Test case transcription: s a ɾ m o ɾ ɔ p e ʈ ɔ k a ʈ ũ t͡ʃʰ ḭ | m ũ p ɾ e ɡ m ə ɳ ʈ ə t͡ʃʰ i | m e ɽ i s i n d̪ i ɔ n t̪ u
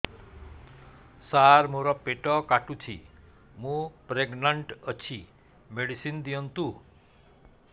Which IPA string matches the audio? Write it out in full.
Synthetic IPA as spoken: s a ɾ m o ɾ ɔ p e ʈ ɔ k a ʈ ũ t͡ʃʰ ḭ | m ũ p ɾ e ɡ n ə ɳ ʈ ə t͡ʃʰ i | m e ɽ i s i n d̪ i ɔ n t̪ u